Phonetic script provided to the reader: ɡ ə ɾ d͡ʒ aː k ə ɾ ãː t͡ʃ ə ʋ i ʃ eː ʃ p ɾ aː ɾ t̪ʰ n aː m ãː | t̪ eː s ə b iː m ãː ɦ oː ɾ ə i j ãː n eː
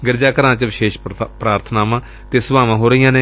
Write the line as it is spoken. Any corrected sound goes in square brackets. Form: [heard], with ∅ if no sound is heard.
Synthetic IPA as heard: ɡ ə ɾ d͡ʒ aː k ə ɾ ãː t͡ʃ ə ʋ [ɪ] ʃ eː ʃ p ɾ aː ɾ t̪ʰ n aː m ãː | t̪ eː s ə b [aː] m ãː ɦ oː ɾ ə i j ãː n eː